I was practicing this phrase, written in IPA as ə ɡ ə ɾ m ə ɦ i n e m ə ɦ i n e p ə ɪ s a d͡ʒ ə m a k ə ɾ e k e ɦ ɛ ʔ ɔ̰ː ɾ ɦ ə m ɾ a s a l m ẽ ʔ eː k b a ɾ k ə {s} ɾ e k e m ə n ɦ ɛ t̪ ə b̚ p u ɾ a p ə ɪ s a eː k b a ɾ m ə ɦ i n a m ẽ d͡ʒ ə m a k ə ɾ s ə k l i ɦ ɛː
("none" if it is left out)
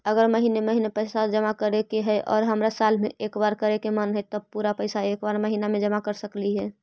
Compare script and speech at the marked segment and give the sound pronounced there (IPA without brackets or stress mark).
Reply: none